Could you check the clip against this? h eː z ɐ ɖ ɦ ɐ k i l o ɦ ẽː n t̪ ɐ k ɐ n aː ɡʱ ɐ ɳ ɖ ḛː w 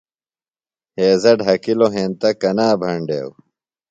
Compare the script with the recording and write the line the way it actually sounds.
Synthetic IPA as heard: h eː z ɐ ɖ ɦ ɐ k i l o ɦ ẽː n t̪ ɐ k ɐ n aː bʱ ɐ ɳ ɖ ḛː w